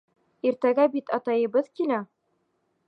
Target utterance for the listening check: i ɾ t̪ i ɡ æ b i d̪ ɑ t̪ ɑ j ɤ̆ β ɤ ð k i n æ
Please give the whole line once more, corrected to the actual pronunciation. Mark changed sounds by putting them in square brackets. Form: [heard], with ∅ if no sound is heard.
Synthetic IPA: i ɾ t̪ [æ] ɡ æ b i [t̪] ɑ t̪ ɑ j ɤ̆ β ɤ ð k i n æ